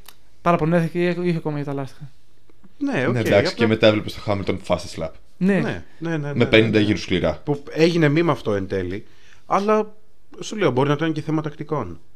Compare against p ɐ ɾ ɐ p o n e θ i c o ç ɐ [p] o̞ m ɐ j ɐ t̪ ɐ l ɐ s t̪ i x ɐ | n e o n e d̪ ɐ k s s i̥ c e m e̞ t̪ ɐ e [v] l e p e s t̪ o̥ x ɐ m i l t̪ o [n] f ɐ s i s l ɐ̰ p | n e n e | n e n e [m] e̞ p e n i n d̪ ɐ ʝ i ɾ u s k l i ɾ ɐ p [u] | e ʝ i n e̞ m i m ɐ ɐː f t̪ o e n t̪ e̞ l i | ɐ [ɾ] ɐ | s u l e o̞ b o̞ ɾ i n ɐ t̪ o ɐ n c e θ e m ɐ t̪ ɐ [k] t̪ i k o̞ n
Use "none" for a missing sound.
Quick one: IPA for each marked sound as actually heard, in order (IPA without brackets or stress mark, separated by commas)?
k, v, n, m, u, l, k